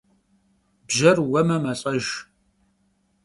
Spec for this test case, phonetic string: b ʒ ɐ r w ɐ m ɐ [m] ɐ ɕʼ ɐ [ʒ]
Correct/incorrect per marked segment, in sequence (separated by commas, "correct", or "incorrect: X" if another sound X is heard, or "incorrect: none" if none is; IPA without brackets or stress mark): correct, correct